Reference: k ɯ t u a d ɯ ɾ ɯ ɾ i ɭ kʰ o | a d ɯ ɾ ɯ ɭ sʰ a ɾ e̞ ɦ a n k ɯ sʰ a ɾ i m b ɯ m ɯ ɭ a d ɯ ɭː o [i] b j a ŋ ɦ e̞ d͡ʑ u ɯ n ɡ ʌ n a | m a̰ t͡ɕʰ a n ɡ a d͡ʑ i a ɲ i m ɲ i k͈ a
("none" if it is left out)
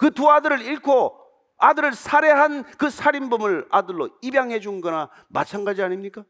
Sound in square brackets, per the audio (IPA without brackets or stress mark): i